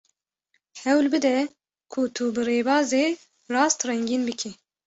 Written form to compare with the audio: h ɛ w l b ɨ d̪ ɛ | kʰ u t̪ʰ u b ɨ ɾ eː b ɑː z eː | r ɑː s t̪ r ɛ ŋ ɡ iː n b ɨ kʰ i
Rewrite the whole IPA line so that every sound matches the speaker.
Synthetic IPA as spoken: h ɛ w l b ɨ d̪ ɛ | kʰ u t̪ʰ u b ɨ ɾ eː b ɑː z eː | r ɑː s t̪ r ɛ ŋ ɡ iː n b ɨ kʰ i